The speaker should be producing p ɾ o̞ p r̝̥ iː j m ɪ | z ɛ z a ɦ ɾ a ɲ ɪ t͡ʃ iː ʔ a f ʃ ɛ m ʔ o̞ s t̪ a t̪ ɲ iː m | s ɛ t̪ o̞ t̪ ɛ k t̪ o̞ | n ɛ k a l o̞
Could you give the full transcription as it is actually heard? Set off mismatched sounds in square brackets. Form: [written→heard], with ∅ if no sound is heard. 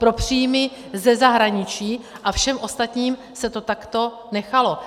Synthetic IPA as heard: p ɾ o̞ p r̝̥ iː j m ɪ | z ɛ z a ɦ ɾ a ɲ ɪ t͡ʃ iː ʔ a f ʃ ɛ m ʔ o̞ s t̪ a t̪ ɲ iː m | s ɛ t̪ o̞ t̪ [ɛ→a] k t̪ o̞ | n ɛ [k→x] a l o̞